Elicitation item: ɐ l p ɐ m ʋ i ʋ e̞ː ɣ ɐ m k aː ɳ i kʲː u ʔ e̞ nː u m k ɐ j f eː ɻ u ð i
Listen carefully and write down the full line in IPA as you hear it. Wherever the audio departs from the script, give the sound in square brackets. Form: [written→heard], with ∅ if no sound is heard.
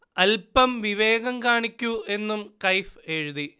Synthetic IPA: ɐ l p ɐ m ʋ i ʋ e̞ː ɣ ɐ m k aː ɳ i kʲː u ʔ e̞ nː u m k ɐ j f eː ɻ u ð i